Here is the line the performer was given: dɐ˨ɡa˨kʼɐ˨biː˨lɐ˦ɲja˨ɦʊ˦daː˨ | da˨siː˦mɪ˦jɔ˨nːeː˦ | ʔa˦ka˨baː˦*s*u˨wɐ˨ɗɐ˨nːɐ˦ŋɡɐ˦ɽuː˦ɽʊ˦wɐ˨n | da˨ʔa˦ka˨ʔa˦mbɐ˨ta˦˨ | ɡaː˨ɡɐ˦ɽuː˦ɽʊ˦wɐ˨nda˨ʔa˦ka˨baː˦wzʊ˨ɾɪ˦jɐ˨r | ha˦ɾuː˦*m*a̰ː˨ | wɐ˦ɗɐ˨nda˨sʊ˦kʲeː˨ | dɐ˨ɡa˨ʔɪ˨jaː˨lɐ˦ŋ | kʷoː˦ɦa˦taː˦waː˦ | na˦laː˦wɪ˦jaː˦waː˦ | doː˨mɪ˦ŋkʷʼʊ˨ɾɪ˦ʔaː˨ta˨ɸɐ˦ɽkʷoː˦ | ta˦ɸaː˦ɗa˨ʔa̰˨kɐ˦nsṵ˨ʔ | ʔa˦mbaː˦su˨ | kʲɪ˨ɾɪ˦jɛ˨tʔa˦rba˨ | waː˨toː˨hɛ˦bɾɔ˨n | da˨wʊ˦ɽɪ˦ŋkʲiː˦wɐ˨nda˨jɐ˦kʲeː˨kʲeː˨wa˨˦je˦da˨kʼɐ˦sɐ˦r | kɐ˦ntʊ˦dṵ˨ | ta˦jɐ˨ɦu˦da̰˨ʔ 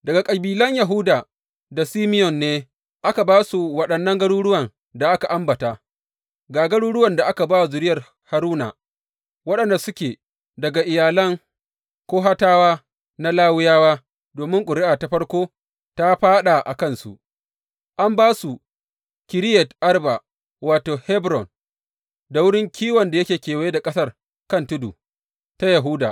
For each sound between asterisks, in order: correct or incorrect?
correct, incorrect: n

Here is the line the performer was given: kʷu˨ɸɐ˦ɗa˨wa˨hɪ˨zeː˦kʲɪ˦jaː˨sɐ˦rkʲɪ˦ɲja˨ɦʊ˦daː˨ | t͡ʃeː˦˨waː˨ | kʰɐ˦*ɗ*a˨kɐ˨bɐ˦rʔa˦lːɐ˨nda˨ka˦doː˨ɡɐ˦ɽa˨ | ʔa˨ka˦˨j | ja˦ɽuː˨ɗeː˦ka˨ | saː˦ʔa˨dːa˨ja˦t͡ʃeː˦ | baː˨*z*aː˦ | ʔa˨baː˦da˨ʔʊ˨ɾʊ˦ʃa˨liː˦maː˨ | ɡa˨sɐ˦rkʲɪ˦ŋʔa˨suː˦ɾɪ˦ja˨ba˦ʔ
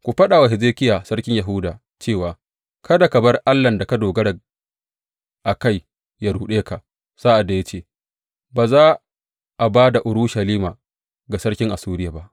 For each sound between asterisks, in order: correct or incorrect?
incorrect: d, correct

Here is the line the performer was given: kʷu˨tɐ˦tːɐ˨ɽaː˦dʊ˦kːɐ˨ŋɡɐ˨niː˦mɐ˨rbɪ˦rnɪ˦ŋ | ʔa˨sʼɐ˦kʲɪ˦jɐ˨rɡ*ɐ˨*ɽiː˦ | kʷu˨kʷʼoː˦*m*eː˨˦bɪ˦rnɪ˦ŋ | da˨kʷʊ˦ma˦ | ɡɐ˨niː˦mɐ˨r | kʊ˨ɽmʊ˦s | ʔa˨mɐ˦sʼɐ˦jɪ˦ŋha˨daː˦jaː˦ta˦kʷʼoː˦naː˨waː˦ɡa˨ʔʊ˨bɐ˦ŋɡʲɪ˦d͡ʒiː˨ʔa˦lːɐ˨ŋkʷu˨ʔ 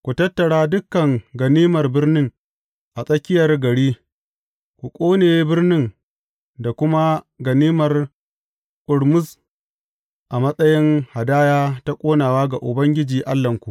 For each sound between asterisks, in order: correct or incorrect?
correct, incorrect: n

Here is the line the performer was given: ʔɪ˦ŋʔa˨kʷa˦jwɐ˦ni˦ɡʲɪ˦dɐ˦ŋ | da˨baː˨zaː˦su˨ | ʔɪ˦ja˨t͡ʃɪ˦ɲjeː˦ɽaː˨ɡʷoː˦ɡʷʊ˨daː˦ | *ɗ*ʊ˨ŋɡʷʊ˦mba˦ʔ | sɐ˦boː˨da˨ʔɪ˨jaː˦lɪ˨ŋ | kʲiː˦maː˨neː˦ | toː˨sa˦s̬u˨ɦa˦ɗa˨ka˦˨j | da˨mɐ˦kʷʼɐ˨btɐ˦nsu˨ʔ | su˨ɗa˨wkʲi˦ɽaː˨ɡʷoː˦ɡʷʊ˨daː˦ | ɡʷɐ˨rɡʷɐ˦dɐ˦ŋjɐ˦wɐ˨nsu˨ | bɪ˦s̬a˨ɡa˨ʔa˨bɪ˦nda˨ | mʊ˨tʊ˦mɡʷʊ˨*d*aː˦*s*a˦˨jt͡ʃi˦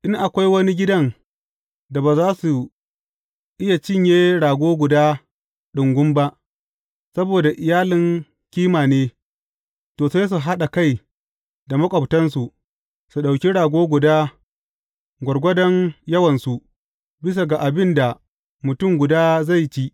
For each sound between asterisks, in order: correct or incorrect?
correct, correct, incorrect: z

